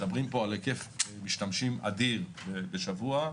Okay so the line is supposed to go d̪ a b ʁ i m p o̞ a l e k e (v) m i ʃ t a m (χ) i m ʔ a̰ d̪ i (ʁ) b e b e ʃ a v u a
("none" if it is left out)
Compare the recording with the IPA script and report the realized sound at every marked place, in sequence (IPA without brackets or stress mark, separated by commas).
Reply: f, ʃ, ʁ